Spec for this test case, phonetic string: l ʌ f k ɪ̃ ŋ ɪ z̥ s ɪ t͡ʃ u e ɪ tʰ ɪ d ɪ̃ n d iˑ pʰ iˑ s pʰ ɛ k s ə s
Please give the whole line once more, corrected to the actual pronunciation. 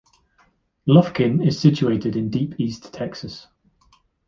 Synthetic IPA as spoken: l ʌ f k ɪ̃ n ɪ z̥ s ɪ t͡ʃ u e ɪ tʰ ɪ d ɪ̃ n d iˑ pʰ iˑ s tʰ ɛ k s ə s